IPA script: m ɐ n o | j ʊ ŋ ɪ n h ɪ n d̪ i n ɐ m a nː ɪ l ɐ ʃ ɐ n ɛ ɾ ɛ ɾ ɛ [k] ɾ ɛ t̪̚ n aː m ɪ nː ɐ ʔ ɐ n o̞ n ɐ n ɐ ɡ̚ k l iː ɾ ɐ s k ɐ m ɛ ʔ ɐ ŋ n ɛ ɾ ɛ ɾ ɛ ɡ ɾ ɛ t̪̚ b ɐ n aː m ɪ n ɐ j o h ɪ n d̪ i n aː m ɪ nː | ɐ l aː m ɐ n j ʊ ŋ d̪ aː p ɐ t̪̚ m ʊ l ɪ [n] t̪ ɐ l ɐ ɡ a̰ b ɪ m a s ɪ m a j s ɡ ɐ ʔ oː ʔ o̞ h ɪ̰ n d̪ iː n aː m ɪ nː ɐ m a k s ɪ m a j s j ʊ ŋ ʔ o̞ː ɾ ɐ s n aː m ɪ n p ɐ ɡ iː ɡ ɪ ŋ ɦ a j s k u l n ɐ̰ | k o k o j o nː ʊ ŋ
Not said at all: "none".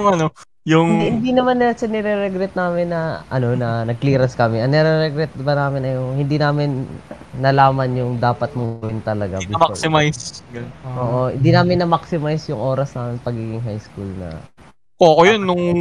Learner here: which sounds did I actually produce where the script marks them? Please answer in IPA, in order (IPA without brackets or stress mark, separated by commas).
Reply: ɡ, n